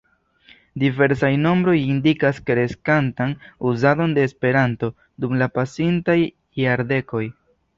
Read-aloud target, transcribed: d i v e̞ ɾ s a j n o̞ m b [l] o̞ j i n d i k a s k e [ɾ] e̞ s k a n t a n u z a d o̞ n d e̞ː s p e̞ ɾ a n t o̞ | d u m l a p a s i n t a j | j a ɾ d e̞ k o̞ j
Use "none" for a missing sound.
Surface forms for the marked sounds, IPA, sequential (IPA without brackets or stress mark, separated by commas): ɾ, ɾ